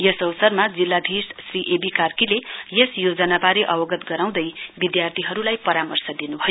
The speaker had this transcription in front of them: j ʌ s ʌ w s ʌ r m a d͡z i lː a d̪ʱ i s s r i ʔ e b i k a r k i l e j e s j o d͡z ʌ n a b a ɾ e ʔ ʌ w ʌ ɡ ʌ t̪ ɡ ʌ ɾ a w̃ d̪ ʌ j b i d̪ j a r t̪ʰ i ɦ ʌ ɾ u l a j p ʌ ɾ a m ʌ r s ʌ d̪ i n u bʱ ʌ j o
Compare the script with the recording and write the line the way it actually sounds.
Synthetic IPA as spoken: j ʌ s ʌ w s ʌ r m a d͡z i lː a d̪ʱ i s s r i ʔ e b i k a r k i l e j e s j o d͡z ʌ n a b a ɾ e ʔ ʌ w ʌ ɡ ʌ t̪ ɡ ʌ ɾ a w̃ d̪ ʌ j b i d̪ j a r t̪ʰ i ɦ ʌ ɾ u l a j p ʌ ɾ a m ʌ r s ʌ d̪ i n u bʱ ʌ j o